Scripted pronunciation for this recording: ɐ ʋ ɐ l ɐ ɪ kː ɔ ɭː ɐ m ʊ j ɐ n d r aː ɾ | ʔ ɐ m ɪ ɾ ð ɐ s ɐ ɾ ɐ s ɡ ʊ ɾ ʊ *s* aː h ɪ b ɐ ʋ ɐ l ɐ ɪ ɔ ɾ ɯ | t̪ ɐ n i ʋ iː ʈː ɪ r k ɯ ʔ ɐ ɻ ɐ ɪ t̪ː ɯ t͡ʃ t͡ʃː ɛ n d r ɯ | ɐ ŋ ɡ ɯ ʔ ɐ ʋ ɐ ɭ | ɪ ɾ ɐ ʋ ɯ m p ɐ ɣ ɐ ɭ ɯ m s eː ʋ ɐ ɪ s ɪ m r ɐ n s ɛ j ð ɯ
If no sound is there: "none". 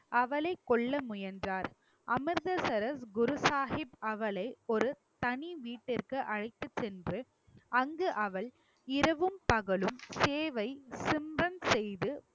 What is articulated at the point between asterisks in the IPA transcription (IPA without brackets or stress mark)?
s